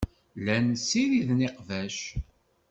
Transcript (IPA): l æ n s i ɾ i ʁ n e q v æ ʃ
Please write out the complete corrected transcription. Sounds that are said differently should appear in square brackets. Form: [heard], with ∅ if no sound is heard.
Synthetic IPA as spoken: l æ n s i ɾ i [ð] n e q v æ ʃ

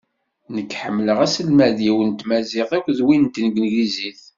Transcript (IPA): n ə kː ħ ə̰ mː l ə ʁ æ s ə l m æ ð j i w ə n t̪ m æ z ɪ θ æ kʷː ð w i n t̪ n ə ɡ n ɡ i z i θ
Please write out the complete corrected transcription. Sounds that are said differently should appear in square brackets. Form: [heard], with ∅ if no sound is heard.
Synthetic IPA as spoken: n ə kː ħ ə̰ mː l ə ʁ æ s ə l m æ ð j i w ə n t̪ m æ z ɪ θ æ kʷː ð w i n t̪ n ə ɡ n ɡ i z i θ

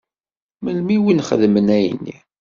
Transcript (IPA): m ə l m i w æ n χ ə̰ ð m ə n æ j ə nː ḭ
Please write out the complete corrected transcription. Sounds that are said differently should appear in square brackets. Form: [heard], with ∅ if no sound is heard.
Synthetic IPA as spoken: m ə l m i w [i] n χ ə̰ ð m ə n æ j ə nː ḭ

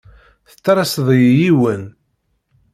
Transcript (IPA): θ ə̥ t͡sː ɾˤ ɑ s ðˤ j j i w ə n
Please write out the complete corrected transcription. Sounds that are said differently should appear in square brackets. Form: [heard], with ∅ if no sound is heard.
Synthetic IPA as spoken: θ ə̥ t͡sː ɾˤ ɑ s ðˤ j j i w ə n

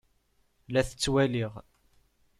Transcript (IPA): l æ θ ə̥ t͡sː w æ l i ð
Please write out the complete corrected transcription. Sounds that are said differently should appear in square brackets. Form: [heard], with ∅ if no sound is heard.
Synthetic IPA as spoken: l æ θ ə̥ t͡sː w æ l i [ʁ]

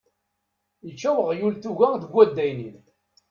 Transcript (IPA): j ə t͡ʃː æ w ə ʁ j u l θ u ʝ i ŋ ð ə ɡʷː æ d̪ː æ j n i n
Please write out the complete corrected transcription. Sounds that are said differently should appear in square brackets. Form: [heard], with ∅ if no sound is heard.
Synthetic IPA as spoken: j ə t͡ʃː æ w ə ʁ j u l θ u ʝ [æ] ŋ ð ə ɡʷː æ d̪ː æ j n i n

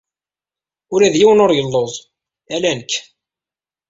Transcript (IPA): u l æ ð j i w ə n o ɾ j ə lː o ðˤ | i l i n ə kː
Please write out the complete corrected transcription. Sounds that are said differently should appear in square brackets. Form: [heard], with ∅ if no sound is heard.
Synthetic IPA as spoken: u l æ ð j i w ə n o ɾ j ə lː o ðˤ | [æ] l [æ] n ə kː

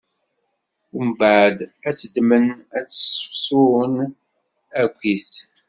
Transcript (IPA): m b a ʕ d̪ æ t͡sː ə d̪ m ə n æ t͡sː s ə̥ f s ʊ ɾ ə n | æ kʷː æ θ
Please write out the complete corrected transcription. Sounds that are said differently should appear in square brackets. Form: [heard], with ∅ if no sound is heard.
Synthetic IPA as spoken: m b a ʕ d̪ æ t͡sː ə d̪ m ə n æ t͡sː s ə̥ f s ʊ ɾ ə n | æ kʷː [i] θ

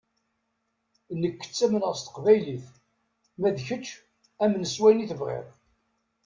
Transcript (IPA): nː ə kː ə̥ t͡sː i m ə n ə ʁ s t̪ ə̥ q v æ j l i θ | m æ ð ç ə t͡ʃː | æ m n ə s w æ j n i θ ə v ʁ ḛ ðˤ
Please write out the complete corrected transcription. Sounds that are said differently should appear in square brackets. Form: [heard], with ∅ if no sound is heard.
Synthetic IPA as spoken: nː ə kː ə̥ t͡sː [æ] m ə n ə ʁ s t̪ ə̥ q v æ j l i θ | m æ ð ç ə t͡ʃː | æ m n ə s w æ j n i θ ə v ʁ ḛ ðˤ

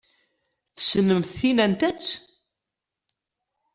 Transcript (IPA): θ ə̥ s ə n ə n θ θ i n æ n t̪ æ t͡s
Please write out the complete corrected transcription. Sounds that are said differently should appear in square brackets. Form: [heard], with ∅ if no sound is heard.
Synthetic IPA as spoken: θ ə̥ s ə n ə [m] θ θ i n æ n t̪ æ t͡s

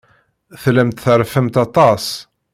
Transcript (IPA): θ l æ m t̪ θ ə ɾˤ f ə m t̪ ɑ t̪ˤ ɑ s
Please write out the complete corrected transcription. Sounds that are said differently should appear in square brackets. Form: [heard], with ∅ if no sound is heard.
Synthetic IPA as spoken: θ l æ m t̪ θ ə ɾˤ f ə m t̪ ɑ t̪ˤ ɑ s

